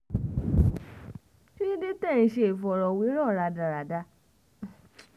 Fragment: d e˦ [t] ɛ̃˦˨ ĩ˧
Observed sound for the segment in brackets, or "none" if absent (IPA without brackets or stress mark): t